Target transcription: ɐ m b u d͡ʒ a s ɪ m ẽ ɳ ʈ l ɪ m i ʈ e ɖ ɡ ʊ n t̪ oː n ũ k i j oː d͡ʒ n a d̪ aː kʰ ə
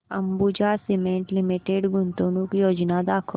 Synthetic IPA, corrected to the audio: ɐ m b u d͡ʒ a s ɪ m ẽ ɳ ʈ l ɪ m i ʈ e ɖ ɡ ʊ n t̪ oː n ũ k i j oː d͡ʒ n a d̪ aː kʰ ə